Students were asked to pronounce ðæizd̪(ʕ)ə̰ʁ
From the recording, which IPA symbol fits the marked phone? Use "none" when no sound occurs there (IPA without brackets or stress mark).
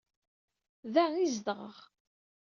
ʁ